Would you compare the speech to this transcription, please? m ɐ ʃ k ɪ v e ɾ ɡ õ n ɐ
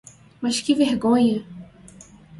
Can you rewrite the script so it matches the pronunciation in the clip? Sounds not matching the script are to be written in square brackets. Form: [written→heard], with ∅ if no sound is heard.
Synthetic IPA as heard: m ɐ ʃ k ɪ v e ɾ ɡ õ [n→ɲ] ɐ

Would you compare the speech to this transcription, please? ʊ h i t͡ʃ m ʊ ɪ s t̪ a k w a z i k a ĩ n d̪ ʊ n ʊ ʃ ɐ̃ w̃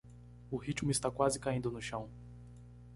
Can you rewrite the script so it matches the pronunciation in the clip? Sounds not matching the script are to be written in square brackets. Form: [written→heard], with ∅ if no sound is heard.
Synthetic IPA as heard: ʊ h i t͡ʃ m ʊ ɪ s t̪ a k w a z [i→ɪ] k a ĩ n d̪ ʊ n ʊ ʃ ɐ̃ w̃

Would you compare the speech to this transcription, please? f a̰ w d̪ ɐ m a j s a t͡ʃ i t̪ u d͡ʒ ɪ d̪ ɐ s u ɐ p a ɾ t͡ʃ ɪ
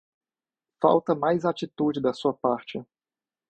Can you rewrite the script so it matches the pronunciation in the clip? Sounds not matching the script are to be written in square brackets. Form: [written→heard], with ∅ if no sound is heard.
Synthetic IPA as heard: f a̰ w [d̪→t̪] ɐ m a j [s→z] a t͡ʃ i t̪ u d͡ʒ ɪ d̪ ɐ s u ɐ p a ɾ t͡ʃ ɪ

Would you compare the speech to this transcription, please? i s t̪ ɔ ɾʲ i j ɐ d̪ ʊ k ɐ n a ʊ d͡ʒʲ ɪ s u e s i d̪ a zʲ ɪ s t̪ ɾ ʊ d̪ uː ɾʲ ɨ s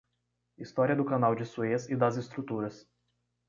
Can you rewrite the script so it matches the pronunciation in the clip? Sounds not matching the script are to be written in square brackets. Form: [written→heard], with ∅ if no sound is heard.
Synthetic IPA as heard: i s t̪ ɔ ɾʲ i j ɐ d̪ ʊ k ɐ n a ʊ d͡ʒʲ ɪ s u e s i d̪ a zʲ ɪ s t̪ ɾ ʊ [d̪→t̪] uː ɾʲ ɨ s

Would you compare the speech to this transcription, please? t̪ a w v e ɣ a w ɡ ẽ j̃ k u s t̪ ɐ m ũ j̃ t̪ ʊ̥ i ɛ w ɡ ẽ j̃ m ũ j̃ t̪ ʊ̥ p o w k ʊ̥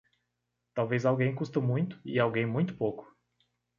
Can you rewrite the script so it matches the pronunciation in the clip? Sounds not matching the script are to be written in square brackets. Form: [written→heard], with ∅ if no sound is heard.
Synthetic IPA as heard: t̪ a w v e [ɣ→z] a w ɡ ẽ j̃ k u s t̪ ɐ m ũ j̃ t̪ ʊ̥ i [ɛ→a] w ɡ ẽ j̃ m ũ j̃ t̪ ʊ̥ p o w k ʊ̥

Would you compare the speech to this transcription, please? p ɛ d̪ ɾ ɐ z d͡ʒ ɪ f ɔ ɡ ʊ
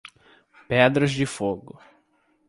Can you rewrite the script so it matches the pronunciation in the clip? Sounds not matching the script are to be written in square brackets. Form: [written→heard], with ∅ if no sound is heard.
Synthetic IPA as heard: p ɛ d̪ ɾ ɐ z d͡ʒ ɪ f [ɔ→o] ɡ ʊ

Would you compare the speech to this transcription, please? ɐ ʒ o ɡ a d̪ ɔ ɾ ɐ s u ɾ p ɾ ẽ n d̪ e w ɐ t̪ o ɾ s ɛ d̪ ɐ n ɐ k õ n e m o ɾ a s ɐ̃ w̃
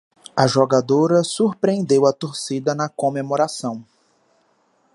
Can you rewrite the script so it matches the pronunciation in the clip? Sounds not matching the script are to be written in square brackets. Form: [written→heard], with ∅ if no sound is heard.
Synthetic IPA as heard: ɐ ʒ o ɡ a d̪ [ɔ→o] ɾ ɐ s u ɾ p ɾ ẽ n d̪ e w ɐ t̪ o ɾ s [ɛ→i] d̪ ɐ n ɐ k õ [n→m] e m o ɾ a s ɐ̃ w̃

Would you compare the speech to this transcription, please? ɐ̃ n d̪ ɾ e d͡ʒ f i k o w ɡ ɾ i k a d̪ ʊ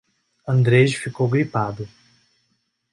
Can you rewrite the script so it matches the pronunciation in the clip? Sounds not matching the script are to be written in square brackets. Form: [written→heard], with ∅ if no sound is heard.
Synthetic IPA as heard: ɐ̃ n d̪ ɾ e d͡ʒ f i k o w ɡ ɾ i [k→p] a d̪ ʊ

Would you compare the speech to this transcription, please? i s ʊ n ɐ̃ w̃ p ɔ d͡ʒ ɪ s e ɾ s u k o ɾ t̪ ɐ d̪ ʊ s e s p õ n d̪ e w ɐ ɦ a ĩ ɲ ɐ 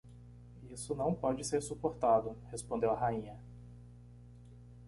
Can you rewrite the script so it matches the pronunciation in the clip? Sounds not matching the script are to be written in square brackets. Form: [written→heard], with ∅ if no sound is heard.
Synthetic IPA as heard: i s ʊ n ɐ̃ w̃ p ɔ d͡ʒ ɪ s e ɾ s u [k→p] o ɾ t̪ [ɐ→a] d̪ ʊ [s→h] e s p õ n d̪ e w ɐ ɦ a ĩ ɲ ɐ

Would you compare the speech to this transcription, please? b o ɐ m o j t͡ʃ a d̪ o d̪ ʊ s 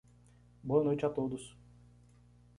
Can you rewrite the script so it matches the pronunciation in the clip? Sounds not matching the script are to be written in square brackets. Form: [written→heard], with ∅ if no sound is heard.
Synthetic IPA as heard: b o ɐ [m→n] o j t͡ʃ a [d̪→t̪] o d̪ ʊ s

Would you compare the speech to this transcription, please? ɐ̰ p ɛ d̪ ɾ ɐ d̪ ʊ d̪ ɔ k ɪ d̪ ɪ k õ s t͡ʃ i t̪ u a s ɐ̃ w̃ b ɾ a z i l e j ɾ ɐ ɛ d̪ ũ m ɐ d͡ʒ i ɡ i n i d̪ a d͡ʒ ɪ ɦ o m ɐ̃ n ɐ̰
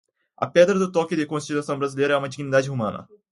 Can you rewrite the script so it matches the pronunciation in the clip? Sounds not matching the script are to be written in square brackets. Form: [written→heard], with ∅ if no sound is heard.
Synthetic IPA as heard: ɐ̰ p ɛ d̪ ɾ ɐ d̪ ʊ [d̪→t̪] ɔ k ɪ d̪ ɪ k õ s t͡ʃ i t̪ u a s ɐ̃ w̃ b ɾ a z i l e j ɾ ɐ ɛ [d̪→∅] ũ m ɐ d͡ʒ i ɡ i n i d̪ a d͡ʒ ɪ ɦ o m ɐ̃ n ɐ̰

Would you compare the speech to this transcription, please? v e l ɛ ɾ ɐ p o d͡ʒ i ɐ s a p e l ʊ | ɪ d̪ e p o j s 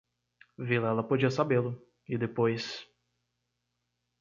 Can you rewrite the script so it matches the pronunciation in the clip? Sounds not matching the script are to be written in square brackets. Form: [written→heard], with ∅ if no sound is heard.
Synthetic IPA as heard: v [e→i] l ɛ [ɾ→l] ɐ p o d͡ʒ i ɐ s a [p→b] e l ʊ | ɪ d̪ e p o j s

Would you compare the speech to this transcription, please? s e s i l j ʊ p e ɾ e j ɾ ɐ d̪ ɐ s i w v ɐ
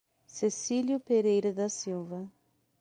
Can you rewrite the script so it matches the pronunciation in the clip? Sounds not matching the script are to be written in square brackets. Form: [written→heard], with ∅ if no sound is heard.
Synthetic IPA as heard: s e s i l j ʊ p e ɾ e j ɾ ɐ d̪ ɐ s i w v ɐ

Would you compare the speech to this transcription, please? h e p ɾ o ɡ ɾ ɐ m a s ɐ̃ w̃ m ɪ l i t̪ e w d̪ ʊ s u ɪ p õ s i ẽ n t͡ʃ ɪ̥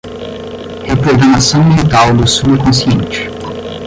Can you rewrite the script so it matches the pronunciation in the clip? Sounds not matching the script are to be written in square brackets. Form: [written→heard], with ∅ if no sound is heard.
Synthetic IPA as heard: h e p ɾ o ɡ ɾ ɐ m a s ɐ̃ w̃ m [ɪ→i] l i t̪ [e→a] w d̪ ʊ s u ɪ [p→k] õ s i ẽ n t͡ʃ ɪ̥

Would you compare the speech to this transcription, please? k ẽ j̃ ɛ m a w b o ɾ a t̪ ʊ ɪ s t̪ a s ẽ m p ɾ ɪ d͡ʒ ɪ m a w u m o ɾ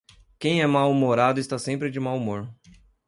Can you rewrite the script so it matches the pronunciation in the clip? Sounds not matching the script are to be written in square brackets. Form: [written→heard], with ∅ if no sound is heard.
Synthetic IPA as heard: k ẽ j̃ ɛ m a w [b→m] o ɾ a [t̪→d̪] ʊ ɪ s t̪ a s ẽ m p ɾ ɪ d͡ʒ ɪ m a w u m o ɾ

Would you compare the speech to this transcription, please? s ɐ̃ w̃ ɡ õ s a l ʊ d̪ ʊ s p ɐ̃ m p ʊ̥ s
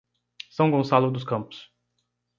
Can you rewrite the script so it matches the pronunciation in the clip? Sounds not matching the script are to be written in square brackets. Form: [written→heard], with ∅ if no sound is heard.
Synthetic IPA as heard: s ɐ̃ w̃ ɡ õ s a l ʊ d̪ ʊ s [p→k] ɐ̃ m p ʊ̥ s

